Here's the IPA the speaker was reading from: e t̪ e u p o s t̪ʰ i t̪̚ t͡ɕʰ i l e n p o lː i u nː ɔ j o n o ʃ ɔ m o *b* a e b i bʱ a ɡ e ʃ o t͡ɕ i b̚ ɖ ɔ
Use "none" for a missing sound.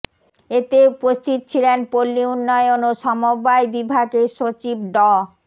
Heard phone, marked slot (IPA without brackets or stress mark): b